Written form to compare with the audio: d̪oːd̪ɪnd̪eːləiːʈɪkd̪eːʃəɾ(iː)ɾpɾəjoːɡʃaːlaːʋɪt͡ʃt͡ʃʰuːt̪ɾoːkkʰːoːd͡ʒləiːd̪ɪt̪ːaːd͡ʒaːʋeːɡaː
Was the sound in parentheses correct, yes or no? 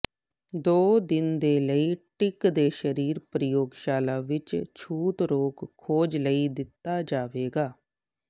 yes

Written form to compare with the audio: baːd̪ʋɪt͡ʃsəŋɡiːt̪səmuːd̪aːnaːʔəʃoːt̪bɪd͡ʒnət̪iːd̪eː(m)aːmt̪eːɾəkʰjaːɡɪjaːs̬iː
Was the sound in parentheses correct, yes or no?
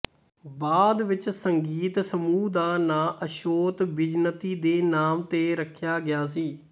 no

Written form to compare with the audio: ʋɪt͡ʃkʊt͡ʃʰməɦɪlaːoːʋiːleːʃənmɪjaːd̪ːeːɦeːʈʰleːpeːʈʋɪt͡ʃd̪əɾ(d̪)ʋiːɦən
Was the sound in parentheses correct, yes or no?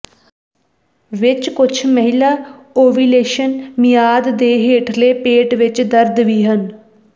yes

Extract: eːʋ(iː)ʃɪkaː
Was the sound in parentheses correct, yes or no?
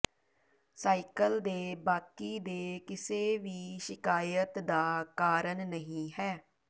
yes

